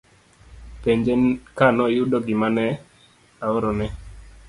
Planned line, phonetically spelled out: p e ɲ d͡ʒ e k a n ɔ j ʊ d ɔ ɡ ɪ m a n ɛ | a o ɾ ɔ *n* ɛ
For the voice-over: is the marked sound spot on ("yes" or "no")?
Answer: yes